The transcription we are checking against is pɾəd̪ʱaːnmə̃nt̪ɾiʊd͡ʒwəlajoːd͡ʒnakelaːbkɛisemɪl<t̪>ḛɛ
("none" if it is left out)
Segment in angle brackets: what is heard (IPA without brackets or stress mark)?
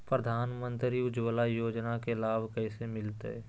t̪